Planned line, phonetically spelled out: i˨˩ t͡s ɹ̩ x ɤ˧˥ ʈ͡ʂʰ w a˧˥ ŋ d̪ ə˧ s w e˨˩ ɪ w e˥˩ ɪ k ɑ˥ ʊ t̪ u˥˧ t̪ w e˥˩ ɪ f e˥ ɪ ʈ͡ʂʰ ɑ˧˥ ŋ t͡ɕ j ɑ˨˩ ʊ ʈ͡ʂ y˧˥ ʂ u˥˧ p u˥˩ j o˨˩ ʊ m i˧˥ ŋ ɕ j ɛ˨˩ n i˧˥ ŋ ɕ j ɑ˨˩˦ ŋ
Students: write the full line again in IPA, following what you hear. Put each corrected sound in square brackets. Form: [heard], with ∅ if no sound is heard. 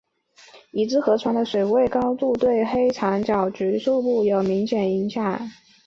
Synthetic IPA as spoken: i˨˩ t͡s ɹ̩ x ɤ˧˥ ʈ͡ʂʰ w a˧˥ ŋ d̪ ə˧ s w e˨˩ ɪ w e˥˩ ɪ k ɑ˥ ʊ t̪ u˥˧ t̪ w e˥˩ ɪ [x] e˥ ɪ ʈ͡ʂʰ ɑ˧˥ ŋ t͡ɕ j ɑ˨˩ ʊ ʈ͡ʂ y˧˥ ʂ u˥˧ p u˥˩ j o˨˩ ʊ m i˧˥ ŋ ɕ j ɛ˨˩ n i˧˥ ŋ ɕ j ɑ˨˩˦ ŋ